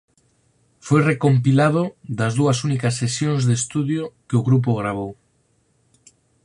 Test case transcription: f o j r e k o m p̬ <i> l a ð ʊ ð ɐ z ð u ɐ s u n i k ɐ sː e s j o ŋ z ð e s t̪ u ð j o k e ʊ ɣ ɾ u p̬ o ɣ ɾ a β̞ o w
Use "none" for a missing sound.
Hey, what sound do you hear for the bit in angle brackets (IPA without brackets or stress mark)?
i